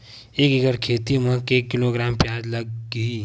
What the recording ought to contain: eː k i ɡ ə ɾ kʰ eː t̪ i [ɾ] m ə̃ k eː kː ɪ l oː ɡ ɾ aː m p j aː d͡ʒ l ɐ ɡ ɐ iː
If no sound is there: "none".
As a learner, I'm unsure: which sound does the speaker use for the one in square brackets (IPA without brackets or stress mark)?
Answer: none